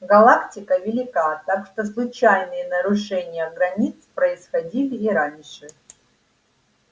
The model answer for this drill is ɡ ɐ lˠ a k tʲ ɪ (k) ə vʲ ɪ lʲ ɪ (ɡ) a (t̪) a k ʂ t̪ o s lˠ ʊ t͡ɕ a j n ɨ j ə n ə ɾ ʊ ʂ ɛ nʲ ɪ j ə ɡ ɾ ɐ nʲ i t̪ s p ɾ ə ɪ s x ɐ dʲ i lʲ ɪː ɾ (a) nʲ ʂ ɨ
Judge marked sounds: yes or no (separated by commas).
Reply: yes, no, yes, yes